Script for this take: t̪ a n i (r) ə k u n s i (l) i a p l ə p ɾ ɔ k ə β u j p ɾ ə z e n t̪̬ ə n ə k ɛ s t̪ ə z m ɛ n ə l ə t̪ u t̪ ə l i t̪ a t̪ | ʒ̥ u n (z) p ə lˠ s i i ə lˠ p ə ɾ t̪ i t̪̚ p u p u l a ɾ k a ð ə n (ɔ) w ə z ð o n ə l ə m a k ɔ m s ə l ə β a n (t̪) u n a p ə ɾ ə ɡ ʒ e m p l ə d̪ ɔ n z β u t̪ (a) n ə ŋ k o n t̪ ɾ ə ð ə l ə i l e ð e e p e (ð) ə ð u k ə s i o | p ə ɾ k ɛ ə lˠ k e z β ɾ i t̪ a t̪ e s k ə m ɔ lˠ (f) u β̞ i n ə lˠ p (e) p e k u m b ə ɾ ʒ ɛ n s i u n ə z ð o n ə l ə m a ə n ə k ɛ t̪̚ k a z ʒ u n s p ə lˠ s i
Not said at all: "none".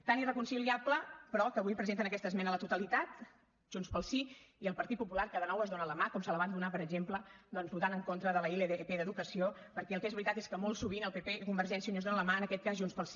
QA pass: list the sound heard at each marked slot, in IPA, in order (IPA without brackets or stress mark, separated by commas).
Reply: r, l, s, ɔ, d̪, a, ð, s, e